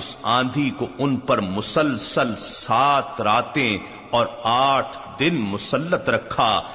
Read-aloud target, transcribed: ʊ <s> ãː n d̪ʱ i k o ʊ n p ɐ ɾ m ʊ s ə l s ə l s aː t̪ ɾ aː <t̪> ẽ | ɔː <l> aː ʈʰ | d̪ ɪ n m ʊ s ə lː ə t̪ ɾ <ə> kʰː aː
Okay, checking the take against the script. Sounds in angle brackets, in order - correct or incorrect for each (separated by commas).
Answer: correct, correct, incorrect, incorrect